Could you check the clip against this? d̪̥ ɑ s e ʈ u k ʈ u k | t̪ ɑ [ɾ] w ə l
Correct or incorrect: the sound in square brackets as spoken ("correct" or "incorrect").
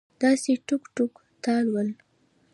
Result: incorrect